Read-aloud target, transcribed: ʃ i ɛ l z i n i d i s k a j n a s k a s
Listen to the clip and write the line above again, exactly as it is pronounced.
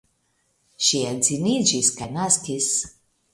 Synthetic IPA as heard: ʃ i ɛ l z i n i d͡ʒ i s k a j n a s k i s

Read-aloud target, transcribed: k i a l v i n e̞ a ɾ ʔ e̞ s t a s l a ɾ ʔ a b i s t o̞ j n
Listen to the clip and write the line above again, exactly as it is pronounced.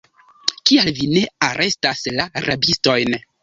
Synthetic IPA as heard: k i a l v i n e̞ a ɾ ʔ e̞ s t a s l a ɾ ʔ a b i s t o̞ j n

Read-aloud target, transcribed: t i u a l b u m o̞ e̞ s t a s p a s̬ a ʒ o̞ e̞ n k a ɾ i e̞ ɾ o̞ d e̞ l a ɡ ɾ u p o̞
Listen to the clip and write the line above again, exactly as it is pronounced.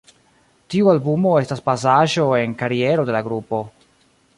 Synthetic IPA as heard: t i u a l b u m o̞ e̞ s t a s p a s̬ a ʒ o̞ e̞ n k a ɾ i e̞ ɾ o̞ d e̞ l a ɡ ɾ u p o̞

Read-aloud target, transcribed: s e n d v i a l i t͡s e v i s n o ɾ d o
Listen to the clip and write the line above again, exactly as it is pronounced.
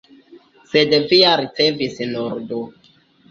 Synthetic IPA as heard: s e d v i a ɾ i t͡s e v i s n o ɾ d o

